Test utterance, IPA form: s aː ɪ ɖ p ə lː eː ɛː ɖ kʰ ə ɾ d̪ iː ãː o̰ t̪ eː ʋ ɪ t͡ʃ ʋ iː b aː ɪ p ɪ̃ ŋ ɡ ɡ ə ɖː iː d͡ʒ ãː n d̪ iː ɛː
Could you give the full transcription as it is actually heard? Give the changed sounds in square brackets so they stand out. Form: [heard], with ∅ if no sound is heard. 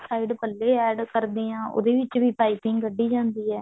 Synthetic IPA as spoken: s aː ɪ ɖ p ə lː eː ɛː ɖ [k] ə ɾ d̪ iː ãː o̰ [d̪] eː ʋ ɪ t͡ʃ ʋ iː [p] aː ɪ p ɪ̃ ŋ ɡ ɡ ə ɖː iː d͡ʒ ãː n d̪ iː ɛː

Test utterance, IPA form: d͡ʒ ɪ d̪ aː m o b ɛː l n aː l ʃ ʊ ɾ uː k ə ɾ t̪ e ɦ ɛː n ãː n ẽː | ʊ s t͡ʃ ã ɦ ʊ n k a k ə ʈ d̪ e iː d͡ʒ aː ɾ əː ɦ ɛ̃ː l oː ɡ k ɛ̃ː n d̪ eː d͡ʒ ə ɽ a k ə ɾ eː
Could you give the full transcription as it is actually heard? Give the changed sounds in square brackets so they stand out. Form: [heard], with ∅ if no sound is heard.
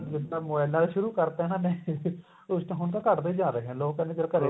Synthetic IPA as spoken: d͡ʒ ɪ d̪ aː m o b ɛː l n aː l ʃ ʊ ɾ uː k ə ɾ t̪ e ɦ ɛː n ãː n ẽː | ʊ s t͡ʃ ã ɦ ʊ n k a k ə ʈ d̪ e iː d͡ʒ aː ɾ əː ɦ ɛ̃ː l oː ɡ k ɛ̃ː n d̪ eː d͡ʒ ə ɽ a k ə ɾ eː

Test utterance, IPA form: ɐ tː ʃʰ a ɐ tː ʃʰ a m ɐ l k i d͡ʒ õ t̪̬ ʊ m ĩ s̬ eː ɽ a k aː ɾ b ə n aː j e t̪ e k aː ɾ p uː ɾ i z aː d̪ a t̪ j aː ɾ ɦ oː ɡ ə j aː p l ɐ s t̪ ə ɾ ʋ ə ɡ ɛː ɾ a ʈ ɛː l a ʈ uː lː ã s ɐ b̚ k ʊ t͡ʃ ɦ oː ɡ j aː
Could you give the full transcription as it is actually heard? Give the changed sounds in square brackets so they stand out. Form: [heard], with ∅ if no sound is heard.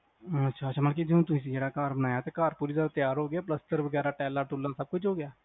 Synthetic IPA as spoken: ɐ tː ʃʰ a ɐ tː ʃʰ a m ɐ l k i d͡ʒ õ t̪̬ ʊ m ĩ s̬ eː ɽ a k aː ɾ b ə n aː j [a] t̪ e k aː ɾ p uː ɾ i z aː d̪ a t̪ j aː ɾ ɦ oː ɡ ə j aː p l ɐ s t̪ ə ɾ ʋ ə ɡ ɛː ɾ a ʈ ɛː l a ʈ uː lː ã s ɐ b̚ k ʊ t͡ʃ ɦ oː ɡ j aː

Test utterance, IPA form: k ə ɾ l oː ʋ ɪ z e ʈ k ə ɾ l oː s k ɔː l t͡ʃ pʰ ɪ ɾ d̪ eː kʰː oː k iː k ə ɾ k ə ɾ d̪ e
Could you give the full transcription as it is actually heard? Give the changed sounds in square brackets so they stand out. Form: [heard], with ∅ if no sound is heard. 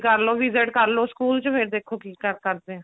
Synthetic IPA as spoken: k ə ɾ l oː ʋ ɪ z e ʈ k ə ɾ l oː s k [uː] l t͡ʃ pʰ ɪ ɾ d̪ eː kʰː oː k iː k ə ɾ k ə ɾ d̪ e

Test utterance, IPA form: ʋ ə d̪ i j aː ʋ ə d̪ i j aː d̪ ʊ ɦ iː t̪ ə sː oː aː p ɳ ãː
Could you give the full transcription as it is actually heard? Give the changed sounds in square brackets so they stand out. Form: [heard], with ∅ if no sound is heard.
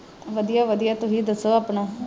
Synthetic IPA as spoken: ʋ ə d̪ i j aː ʋ ə d̪ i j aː [t̪] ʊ ɦ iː [d̪] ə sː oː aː p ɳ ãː

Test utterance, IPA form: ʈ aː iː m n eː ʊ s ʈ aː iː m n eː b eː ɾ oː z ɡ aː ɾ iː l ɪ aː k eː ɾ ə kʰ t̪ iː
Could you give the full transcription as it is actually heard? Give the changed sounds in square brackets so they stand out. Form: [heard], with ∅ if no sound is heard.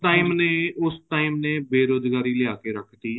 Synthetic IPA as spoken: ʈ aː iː m n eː ʊ s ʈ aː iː m n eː b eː ɾ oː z ɡ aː ɾ iː l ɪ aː k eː ɾ ə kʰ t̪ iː

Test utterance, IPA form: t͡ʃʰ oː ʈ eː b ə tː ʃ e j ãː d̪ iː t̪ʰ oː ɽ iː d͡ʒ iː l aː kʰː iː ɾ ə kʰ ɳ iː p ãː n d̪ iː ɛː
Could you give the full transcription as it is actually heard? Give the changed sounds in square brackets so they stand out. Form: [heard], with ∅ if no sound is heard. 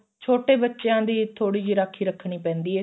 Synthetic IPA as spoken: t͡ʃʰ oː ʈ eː b ə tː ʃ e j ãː d̪ iː t̪ʰ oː ɽ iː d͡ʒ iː [ɾ] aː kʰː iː ɾ ə kʰ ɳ iː p [ɛ̃ː] n d̪ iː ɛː

